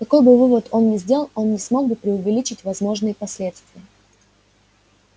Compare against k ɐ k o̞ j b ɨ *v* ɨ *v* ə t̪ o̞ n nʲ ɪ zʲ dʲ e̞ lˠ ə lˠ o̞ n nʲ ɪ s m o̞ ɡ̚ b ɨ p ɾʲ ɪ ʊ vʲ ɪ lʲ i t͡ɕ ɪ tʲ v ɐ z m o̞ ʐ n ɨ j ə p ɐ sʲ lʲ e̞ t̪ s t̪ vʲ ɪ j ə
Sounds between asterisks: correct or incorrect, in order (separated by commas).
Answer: correct, correct